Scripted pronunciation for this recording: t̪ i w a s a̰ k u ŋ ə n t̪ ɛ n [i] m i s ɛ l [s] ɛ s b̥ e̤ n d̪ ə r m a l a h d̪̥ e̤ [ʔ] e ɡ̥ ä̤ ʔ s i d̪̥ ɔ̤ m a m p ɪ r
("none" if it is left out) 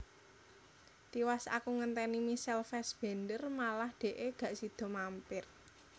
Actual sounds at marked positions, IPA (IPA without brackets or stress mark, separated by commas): i, f, ʔ